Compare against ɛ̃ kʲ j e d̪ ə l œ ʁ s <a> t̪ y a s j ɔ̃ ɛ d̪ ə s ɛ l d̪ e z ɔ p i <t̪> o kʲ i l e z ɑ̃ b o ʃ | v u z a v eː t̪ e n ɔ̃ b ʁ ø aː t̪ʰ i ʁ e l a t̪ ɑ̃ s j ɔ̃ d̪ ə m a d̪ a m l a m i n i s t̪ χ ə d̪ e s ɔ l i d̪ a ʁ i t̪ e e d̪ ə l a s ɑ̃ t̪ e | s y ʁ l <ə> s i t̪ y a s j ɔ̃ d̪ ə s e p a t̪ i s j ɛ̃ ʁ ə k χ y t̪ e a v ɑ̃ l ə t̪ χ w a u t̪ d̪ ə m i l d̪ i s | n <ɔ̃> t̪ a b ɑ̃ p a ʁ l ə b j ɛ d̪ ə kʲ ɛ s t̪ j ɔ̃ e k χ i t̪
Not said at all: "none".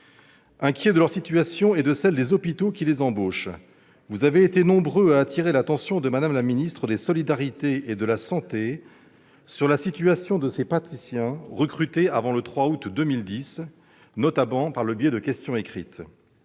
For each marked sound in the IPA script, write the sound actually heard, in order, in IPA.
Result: i, t̪, a, ɔ

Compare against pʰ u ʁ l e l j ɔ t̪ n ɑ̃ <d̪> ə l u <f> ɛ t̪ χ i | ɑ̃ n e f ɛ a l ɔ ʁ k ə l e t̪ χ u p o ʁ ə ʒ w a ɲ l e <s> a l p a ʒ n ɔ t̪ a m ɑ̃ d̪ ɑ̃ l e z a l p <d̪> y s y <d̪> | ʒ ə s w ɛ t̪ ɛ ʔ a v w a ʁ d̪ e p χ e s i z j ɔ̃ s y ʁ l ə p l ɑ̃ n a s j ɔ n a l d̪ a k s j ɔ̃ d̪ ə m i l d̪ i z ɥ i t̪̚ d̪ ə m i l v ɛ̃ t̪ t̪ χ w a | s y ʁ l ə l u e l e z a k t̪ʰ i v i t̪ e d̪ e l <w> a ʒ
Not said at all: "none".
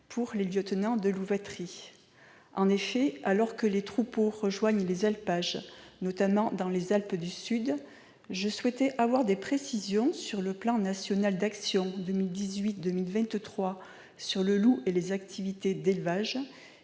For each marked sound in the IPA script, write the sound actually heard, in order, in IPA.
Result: d̪, v, z, d̪, d̪, v

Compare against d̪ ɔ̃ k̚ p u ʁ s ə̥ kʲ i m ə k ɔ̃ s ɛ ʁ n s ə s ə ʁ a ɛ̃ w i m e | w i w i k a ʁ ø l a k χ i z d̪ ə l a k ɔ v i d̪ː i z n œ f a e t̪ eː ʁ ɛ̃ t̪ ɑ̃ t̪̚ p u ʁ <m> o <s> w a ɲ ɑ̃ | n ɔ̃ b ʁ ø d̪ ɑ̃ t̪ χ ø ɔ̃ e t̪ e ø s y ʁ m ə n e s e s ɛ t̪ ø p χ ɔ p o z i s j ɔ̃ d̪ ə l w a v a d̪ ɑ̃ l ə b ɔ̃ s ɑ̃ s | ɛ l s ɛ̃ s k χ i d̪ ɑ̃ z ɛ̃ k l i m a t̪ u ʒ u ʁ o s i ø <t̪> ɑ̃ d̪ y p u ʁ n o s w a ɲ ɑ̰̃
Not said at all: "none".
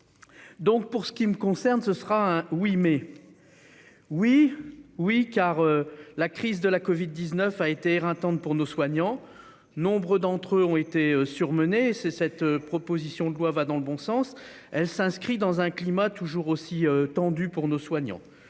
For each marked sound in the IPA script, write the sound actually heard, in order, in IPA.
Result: n, s, t̪

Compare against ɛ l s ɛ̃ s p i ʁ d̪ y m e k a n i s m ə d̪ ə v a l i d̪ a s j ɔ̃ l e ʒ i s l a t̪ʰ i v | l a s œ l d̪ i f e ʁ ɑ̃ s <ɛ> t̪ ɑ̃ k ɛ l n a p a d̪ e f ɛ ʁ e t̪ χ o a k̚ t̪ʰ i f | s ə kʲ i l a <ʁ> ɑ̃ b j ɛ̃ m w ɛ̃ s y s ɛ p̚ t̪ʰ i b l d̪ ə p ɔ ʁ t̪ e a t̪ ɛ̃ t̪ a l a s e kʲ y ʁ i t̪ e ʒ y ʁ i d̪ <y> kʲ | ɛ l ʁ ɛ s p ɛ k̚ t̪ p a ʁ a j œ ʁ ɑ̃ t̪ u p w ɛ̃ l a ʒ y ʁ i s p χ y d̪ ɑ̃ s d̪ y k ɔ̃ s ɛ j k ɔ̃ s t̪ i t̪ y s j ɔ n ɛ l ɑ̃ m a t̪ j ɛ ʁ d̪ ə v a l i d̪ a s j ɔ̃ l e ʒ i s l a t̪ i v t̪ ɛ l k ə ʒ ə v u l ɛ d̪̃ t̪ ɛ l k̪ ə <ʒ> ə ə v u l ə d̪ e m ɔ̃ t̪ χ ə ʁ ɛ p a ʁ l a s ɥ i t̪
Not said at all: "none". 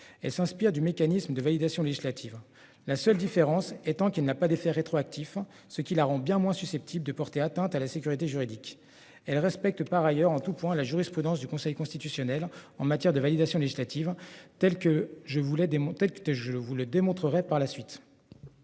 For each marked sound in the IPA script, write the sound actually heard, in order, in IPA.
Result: ɛ, ʁ, i, ʒ

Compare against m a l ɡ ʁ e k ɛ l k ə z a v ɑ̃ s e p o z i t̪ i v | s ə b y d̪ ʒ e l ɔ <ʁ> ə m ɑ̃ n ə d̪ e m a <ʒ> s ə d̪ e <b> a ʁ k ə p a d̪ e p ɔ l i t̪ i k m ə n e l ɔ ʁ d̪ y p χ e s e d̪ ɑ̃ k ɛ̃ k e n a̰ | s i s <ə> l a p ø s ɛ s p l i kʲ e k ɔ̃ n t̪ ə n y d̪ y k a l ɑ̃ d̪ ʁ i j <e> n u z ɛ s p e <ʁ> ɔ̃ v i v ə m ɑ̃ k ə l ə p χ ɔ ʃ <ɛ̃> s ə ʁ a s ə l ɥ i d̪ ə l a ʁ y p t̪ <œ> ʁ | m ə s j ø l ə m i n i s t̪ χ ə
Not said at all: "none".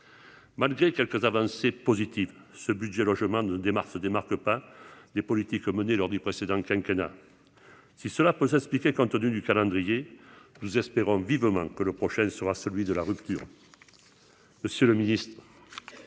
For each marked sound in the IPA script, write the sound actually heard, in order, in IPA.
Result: ʒ, ʁ, m, ə, e, ʁ, ɛ̃, y

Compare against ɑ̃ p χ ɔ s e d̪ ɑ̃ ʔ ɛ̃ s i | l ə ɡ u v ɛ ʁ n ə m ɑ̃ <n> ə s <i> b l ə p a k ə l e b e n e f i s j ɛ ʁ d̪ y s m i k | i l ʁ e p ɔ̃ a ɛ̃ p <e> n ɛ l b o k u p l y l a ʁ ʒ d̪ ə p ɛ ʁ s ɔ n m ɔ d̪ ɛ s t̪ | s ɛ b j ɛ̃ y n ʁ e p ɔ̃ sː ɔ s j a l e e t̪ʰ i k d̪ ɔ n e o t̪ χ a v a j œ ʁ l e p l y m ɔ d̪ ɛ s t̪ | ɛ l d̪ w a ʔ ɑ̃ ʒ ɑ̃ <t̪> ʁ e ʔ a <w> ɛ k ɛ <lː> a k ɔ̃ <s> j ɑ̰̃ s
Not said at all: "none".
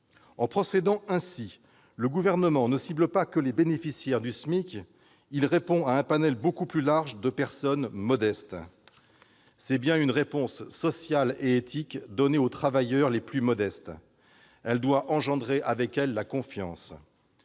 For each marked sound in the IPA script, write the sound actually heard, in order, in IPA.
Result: n, i, a, d̪, v, lː, f

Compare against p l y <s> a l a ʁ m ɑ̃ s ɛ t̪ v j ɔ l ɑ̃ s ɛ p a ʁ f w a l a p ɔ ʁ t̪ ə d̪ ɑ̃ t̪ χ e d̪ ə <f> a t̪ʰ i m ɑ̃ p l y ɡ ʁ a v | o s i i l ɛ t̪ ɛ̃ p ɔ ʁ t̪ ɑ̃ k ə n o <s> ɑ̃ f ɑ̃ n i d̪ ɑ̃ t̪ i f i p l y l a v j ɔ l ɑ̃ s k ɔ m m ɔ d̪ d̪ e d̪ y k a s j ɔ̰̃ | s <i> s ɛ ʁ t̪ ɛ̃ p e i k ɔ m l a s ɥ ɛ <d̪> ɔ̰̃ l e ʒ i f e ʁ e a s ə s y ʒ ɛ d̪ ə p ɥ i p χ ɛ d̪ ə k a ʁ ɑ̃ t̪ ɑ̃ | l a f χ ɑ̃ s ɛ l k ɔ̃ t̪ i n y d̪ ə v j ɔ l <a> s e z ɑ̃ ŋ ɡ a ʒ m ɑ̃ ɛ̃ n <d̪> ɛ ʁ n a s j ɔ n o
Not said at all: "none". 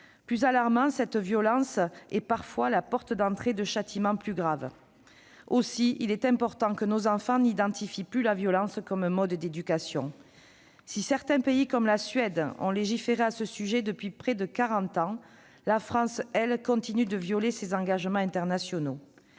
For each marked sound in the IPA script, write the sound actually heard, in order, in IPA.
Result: z, ʃ, z, i, d̪, e, t̪

